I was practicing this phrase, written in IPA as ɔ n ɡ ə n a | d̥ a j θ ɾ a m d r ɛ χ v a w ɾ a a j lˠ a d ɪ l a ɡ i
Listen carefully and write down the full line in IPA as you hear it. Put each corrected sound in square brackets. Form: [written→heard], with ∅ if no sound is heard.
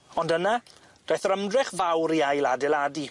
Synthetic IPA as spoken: ɔ n [ɡ→d] ə n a | d̥ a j θ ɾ [a→ə] m d r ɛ χ v a w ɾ [a→i] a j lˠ a d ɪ l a [ɡ→d] i